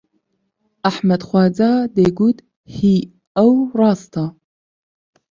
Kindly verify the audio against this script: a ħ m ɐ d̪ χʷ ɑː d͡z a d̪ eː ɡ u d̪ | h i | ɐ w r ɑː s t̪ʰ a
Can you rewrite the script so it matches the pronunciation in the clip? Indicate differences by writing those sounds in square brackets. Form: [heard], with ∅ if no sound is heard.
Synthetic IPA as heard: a ħ m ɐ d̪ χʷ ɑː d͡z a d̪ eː ɡ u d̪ | h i | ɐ w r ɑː s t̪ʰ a